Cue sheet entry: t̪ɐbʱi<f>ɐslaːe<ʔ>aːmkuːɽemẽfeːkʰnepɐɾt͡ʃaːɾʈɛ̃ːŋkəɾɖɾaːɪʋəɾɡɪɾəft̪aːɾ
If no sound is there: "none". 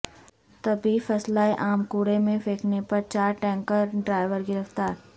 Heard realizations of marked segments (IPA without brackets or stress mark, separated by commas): f, ʔ